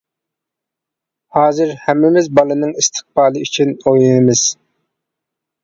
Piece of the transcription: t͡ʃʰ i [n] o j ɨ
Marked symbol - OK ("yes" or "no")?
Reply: yes